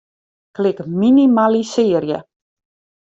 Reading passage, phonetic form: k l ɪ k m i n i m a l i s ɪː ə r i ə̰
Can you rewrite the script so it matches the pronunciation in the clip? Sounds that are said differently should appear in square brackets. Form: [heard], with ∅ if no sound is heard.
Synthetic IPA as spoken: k l ɪ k m i n i m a l i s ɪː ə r [j] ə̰